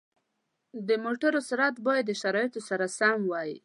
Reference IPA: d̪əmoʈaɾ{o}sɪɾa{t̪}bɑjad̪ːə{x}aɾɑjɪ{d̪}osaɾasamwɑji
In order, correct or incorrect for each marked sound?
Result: correct, correct, incorrect: ʃ, incorrect: t̪

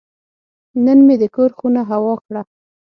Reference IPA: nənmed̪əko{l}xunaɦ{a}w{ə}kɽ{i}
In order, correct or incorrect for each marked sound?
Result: incorrect: ɾ, correct, incorrect: ɑ, incorrect: a

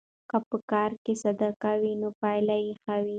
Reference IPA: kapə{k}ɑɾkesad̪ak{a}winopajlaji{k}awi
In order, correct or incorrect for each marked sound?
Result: correct, correct, incorrect: x

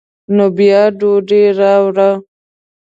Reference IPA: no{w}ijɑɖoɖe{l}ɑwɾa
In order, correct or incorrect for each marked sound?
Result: incorrect: b, incorrect: ɾ

